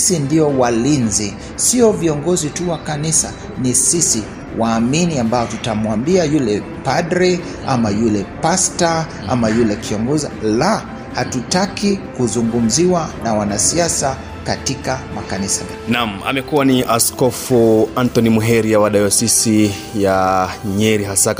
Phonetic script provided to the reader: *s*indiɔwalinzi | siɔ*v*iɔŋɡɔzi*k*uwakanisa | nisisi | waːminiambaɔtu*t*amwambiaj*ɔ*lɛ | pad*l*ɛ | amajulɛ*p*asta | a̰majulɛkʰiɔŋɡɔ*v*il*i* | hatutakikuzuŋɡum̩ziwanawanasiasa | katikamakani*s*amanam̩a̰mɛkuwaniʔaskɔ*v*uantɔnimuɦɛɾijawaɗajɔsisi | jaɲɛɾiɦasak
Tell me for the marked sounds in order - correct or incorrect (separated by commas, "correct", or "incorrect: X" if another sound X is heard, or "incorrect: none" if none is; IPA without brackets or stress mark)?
correct, correct, incorrect: t, correct, incorrect: u, incorrect: ɾ, correct, incorrect: z, incorrect: a, correct, incorrect: f